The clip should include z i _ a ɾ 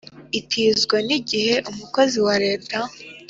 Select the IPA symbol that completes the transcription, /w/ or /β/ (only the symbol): w